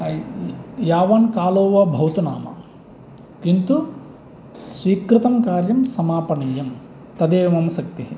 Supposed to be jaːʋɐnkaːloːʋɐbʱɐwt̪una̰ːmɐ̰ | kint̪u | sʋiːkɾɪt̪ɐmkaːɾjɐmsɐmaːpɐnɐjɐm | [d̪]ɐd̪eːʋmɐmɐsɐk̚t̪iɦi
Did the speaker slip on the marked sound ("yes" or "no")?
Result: yes